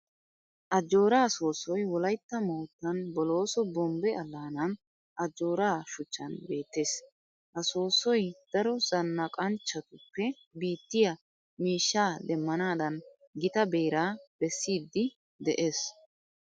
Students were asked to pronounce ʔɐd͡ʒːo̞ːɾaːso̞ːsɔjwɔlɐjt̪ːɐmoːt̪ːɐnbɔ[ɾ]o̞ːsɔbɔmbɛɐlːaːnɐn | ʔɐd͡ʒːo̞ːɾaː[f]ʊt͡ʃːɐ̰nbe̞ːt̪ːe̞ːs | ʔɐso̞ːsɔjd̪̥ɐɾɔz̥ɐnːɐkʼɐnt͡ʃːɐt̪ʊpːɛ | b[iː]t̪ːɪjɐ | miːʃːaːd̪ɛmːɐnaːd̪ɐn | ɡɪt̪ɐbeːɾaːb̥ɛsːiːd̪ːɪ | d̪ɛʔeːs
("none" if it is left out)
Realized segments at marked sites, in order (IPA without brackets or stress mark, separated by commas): l, ʃ, iː